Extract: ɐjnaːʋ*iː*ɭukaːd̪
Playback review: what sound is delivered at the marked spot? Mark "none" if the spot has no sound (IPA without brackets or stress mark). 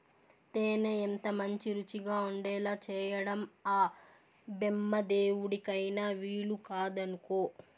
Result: iː